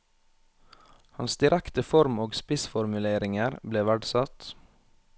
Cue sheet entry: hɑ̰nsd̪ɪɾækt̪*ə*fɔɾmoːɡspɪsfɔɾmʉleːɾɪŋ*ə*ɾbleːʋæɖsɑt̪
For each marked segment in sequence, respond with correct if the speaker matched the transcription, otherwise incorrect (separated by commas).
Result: correct, correct